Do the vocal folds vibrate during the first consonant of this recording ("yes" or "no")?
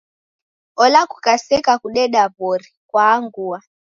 yes